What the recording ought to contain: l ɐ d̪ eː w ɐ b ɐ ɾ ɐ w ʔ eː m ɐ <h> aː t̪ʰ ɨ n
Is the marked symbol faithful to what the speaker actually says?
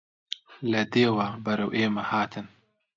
yes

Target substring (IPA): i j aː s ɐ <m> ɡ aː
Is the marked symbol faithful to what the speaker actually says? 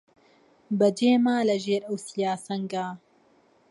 no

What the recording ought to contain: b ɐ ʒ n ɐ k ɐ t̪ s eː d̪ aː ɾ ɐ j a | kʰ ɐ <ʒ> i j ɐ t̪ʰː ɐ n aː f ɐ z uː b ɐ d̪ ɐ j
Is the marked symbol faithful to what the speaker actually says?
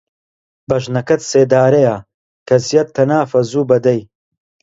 no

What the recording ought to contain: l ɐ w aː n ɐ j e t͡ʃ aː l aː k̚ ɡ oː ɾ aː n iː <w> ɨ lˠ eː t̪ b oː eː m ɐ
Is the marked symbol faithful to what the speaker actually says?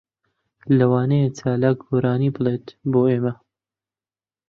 no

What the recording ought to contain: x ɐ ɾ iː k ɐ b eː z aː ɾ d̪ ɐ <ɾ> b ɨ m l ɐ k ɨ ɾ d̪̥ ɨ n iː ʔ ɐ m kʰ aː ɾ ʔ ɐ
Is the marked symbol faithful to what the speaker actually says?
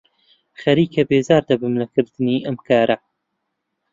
no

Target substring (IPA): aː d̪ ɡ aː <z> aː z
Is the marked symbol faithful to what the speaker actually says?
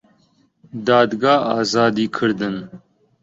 no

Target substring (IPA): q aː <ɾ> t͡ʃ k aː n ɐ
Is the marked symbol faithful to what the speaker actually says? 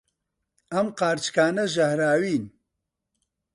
yes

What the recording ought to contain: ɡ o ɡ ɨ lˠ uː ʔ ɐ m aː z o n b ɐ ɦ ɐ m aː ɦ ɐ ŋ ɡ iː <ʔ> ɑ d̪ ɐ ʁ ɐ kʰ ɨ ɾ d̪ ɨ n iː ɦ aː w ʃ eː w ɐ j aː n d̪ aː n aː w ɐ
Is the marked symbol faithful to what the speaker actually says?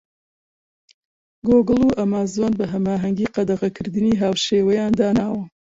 no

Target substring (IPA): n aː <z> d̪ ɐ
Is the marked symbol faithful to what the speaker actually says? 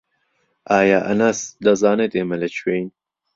no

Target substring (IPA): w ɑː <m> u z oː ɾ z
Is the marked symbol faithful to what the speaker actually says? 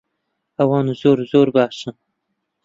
no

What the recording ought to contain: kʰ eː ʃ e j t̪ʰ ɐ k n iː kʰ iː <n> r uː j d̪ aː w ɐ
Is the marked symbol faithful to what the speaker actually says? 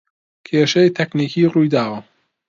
no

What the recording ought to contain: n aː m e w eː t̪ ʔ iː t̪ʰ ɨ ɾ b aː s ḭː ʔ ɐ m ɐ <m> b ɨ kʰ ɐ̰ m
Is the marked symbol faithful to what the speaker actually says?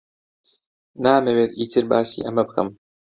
no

